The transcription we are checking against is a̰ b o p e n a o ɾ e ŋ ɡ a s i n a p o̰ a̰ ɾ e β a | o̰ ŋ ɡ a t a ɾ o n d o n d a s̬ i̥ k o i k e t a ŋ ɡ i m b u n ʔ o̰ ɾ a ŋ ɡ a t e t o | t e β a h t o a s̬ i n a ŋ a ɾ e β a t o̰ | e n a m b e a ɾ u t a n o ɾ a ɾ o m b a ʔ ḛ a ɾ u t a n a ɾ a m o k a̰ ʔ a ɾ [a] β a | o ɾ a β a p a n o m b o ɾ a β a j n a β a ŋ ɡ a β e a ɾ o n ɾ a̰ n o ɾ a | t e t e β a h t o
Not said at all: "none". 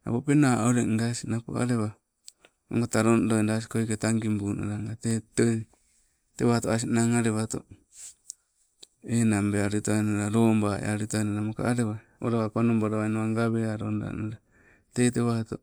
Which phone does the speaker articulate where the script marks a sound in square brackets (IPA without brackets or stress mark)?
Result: e